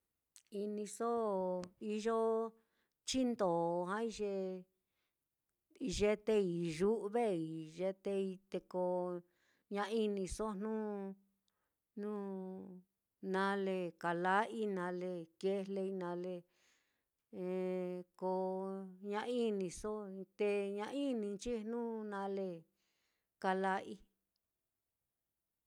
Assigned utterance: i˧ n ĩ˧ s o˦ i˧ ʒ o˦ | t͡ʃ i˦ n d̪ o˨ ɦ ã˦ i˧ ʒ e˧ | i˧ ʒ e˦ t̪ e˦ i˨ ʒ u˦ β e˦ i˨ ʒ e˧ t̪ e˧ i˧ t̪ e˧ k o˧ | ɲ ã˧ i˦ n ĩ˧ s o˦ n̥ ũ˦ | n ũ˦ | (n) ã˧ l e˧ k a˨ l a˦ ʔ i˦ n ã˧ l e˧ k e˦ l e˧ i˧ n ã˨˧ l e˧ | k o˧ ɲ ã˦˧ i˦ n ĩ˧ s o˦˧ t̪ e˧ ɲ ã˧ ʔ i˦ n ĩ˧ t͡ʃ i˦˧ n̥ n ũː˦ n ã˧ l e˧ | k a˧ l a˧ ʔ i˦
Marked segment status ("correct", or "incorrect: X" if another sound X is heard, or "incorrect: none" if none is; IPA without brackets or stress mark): correct